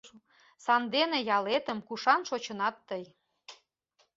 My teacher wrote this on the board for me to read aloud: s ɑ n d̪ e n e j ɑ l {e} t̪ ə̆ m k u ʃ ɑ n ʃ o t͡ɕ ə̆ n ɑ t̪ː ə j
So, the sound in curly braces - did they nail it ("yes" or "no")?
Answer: yes